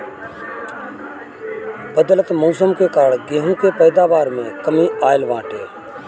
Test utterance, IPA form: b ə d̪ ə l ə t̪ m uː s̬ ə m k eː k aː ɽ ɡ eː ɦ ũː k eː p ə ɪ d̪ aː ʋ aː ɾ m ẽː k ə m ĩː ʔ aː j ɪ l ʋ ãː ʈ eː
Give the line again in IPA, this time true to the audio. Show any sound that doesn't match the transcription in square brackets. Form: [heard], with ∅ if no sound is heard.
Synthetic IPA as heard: b ə d̪ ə l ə t̪ m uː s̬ ə m k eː k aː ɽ ɡ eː ɦ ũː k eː p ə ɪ d̪ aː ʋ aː ɾ m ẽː k ə m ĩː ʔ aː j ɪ l ʋ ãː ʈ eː

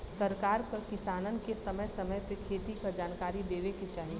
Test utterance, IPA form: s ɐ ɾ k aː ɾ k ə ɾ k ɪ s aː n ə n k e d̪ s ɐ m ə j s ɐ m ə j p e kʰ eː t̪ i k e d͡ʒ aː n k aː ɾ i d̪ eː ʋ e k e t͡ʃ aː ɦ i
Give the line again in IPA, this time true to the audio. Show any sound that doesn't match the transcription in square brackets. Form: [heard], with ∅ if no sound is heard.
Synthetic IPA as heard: s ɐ ɾ k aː ɾ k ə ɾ k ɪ s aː n ə n k e [∅] s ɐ m ə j s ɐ m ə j p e kʰ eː t̪ i k [a] d͡ʒ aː n k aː ɾ i d̪ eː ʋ e k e t͡ʃ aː ɦ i

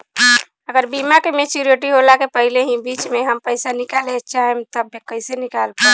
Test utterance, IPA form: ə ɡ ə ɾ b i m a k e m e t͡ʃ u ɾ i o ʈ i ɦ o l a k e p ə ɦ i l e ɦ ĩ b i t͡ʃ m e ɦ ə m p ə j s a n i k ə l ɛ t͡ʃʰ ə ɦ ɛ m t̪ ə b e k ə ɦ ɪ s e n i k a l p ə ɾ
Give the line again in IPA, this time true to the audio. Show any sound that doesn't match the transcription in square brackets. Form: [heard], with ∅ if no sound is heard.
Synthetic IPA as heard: ə ɡ ə ɾ b i m a k e m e t͡ʃ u ɾ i o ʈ i ɦ o l a k e p ə ɦ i l e ɦ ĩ b i t͡ʃ m e ɦ ə m p ə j s a n i k [a] l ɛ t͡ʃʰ [a] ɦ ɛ m t̪ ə b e k ə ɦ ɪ s e n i k a l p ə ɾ

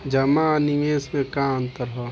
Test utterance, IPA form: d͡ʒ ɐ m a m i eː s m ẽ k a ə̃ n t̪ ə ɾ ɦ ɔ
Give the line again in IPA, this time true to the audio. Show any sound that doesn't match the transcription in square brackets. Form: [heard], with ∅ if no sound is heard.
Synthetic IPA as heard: d͡ʒ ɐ m a [n] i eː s m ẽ k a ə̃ n t̪ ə ɾ ɦ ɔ

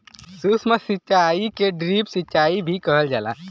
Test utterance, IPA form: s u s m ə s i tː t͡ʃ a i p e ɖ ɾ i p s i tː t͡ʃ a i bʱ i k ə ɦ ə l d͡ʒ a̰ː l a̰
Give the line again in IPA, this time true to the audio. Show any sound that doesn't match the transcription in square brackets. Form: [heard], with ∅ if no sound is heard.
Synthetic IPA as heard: s u s m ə s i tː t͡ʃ a i [k] e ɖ ɾ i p s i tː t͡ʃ a i bʱ i k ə ɦ ə l d͡ʒ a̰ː l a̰

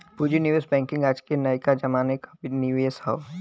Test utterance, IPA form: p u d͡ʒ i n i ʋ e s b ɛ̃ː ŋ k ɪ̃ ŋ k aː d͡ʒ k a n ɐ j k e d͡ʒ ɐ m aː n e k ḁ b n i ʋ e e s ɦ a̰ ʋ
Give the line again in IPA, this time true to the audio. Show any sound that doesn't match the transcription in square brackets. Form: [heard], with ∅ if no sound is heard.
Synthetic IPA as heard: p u d͡ʒ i n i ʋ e s b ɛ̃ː ŋ k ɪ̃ ŋ [ɡ] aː d͡ʒ k [e] n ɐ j k [a] d͡ʒ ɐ m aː n e k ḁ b n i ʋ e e s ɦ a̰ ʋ

